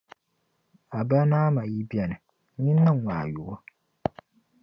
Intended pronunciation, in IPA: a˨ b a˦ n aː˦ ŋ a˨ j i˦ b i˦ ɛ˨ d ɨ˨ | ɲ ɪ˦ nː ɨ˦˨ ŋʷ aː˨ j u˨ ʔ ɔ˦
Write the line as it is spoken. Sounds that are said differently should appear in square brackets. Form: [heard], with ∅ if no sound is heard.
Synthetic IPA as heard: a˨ b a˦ n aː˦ [m] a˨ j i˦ b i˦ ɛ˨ [n] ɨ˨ | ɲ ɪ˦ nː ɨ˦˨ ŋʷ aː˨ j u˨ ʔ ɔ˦